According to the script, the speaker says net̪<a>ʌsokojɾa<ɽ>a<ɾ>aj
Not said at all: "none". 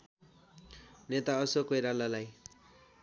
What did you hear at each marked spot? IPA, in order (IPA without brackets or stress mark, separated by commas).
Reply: a, l, l